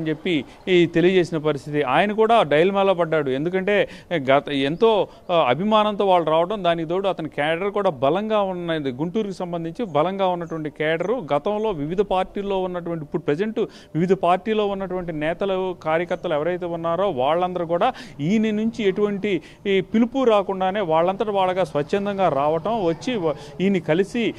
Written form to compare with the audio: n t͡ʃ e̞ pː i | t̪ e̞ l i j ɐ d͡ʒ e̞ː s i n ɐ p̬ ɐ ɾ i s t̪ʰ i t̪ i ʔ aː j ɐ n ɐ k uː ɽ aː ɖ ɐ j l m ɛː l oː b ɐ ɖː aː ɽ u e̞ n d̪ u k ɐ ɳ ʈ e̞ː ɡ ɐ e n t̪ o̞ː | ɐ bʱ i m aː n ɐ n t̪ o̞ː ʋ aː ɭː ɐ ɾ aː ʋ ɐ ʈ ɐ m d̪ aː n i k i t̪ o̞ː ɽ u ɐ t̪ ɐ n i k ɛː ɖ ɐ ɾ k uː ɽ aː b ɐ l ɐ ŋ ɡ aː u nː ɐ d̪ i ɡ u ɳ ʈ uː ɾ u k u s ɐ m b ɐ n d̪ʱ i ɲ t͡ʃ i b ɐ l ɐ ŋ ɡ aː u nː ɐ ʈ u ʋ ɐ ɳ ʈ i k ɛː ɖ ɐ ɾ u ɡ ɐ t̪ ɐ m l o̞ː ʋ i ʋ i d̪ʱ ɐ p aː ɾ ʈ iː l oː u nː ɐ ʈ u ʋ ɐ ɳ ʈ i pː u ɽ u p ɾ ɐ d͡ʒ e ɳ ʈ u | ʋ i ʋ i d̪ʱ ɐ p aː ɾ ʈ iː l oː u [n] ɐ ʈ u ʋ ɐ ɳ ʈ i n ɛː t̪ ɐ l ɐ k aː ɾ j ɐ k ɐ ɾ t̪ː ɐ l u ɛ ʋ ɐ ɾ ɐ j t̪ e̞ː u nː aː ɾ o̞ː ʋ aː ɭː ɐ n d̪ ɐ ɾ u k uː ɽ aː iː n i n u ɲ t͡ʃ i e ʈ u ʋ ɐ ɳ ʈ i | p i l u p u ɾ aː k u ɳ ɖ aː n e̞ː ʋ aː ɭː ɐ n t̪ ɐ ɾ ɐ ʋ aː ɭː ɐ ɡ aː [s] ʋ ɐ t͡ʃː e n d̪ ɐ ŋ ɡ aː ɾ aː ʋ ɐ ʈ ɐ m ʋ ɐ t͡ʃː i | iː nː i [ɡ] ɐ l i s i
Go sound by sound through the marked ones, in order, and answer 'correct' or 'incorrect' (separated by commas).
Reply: incorrect, correct, incorrect